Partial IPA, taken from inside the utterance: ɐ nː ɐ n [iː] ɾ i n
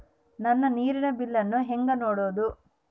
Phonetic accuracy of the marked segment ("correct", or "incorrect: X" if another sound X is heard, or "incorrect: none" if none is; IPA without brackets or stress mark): correct